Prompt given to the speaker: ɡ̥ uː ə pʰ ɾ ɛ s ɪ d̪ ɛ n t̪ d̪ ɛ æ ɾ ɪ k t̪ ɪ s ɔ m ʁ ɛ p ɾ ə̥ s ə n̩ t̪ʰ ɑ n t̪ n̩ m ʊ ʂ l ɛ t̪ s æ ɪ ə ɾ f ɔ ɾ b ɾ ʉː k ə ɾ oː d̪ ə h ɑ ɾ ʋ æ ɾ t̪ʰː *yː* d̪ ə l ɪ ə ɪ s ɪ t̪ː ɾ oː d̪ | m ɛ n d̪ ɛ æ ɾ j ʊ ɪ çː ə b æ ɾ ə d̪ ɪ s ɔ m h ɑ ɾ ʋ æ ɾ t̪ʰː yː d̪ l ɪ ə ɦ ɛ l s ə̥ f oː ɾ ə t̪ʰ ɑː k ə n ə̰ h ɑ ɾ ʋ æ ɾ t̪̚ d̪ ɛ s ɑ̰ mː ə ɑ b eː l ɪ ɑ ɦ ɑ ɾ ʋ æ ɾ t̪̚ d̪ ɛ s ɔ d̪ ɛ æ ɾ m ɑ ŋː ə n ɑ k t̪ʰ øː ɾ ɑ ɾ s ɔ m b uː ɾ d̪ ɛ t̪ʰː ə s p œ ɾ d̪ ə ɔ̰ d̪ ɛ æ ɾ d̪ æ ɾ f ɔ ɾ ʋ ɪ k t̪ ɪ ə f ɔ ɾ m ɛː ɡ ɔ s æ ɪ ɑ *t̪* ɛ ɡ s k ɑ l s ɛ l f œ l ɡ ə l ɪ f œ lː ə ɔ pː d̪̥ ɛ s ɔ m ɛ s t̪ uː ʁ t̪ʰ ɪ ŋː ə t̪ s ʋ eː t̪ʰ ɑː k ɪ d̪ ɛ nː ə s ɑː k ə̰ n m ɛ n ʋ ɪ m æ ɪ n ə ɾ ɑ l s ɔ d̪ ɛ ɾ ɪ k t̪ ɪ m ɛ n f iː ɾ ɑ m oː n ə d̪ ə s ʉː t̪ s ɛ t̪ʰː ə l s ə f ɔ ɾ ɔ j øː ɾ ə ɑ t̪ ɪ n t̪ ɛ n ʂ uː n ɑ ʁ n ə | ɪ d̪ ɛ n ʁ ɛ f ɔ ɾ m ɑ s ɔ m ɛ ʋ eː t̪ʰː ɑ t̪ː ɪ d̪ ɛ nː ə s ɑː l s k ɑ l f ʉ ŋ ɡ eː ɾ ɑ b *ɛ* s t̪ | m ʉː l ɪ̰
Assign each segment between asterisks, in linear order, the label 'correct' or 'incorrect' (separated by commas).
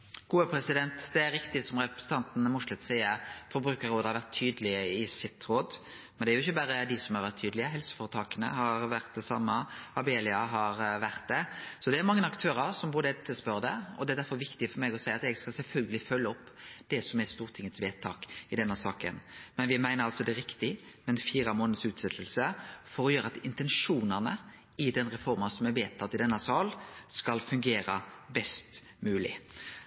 correct, correct, correct